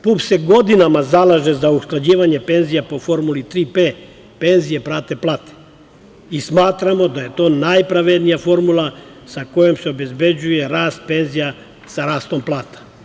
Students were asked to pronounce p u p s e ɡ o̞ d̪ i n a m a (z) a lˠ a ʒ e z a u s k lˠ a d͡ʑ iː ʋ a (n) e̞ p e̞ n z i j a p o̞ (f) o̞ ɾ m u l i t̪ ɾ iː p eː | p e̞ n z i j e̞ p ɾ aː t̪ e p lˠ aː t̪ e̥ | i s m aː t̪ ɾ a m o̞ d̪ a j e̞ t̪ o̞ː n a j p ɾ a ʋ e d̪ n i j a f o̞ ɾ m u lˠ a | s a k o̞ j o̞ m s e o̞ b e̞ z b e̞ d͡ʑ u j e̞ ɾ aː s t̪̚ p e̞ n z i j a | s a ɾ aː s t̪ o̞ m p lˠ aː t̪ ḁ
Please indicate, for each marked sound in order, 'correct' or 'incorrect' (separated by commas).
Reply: correct, incorrect, correct